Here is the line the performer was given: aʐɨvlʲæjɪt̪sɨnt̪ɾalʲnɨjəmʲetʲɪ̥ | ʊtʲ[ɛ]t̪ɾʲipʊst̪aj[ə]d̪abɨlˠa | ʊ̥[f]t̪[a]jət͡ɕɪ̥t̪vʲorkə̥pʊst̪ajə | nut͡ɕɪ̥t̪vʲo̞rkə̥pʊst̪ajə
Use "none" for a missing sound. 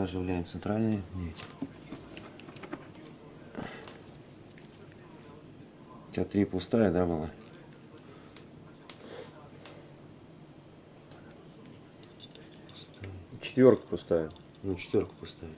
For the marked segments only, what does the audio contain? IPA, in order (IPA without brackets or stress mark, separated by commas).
a, ə, s, a